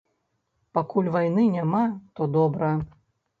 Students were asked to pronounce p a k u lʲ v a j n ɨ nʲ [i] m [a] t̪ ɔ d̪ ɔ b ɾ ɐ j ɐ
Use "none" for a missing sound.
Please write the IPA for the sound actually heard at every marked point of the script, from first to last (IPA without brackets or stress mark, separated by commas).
a, a